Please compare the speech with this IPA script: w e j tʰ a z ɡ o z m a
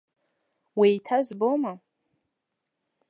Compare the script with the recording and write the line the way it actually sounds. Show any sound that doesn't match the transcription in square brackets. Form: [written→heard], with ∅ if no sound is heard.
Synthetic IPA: w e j tʰ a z [ɡ→b] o [z→∅] m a